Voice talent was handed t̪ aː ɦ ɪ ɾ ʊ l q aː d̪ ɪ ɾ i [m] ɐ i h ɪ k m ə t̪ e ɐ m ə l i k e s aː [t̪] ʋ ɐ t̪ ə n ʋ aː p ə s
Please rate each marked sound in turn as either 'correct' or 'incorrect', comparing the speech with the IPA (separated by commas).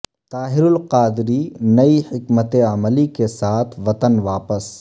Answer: incorrect, incorrect